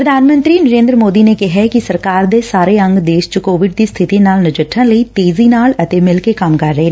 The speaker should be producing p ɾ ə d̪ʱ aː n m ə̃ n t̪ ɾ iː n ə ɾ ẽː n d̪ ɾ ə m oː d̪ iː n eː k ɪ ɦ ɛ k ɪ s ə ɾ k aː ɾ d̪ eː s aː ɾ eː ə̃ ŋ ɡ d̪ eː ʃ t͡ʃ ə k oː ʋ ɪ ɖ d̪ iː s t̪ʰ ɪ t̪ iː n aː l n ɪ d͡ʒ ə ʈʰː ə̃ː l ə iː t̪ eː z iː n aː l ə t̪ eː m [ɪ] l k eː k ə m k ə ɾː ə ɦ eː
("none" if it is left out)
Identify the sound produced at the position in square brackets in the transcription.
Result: ɪ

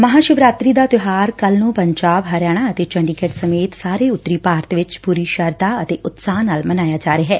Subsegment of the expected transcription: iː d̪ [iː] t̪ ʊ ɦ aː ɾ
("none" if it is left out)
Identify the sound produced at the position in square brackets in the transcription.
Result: aː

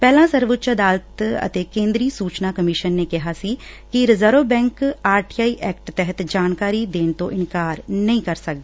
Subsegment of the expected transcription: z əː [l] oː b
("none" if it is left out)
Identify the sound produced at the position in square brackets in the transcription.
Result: ɾ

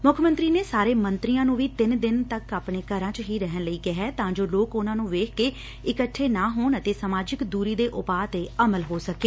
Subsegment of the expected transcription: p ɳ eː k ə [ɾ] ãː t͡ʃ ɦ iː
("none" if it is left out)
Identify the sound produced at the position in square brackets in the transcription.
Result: ɾ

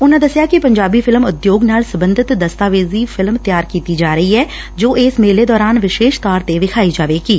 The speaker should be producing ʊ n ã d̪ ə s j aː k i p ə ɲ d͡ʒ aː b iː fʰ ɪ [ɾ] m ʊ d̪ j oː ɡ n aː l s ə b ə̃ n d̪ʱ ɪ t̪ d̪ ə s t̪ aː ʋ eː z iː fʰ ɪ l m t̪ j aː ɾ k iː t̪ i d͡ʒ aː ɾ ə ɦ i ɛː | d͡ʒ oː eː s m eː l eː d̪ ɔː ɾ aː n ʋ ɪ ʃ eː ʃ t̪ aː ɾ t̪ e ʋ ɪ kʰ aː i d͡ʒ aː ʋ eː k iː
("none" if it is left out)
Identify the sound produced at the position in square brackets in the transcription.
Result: l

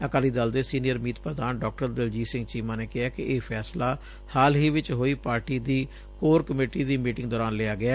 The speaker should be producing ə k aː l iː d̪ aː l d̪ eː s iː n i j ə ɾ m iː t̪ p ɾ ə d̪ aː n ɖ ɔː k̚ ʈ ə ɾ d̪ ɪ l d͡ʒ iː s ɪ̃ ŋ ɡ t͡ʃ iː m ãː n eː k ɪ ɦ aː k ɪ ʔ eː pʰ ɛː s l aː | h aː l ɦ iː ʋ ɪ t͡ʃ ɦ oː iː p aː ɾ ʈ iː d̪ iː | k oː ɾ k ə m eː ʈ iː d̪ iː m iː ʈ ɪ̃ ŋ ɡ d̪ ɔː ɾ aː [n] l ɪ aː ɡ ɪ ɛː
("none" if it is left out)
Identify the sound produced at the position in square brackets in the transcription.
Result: n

